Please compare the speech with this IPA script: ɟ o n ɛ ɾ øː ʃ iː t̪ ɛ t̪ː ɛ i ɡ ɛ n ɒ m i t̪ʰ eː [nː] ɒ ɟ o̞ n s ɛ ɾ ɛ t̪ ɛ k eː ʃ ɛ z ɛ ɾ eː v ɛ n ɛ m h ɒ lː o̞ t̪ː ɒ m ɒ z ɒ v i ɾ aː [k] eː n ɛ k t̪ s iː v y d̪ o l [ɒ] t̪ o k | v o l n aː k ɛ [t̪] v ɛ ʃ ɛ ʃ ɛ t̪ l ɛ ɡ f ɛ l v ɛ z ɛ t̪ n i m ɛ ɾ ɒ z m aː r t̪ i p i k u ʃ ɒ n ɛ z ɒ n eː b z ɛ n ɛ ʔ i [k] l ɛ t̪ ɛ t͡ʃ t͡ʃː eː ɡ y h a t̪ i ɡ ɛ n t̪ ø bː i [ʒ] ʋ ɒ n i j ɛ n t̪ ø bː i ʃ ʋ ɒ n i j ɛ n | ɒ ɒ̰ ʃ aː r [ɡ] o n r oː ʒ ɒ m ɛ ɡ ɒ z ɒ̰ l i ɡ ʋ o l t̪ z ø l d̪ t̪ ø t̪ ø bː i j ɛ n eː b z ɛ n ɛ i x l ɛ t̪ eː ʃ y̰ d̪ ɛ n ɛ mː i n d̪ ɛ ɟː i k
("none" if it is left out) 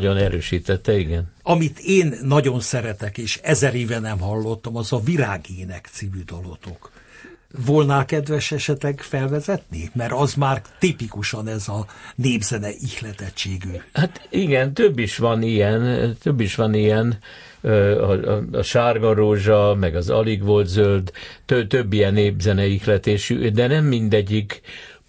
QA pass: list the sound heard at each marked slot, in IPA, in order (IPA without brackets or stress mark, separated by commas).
nː, ɡ, o, d̪, x, ʃ, ɡ